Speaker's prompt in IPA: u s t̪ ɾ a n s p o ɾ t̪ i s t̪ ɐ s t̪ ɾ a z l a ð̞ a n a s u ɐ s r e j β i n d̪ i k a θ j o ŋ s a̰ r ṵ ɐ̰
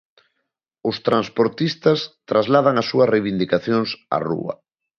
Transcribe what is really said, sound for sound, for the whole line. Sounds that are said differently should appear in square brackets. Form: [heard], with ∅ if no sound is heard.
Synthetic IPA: [ʊ] s t̪ ɾ a n s p o ɾ t̪ i s t̪ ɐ s t̪ ɾ a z l a ð̞ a [ŋ] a s u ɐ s r e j β i n d̪ i k a θ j o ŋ s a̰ r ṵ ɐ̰